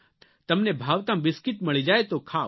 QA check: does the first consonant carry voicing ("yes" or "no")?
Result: no